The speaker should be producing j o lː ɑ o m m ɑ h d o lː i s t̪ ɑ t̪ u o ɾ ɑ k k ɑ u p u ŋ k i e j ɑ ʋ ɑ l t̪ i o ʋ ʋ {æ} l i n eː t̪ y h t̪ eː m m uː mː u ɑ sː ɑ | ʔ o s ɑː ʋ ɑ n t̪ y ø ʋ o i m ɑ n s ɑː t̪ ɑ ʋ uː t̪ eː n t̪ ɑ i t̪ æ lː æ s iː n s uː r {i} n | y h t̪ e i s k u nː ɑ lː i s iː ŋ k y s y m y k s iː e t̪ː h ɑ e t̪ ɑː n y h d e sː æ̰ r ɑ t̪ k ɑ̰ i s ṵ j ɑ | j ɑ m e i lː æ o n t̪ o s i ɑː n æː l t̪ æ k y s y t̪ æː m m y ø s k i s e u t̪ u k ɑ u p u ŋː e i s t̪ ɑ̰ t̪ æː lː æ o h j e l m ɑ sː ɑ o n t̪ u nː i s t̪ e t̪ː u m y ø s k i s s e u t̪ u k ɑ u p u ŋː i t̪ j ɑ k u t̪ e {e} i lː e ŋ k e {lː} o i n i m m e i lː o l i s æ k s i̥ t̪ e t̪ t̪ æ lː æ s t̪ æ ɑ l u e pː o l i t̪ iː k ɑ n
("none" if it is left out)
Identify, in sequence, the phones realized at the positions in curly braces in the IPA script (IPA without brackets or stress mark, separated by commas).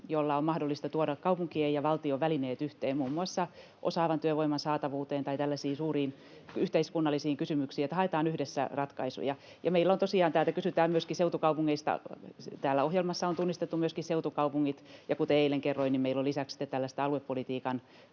æ, iː, e, rː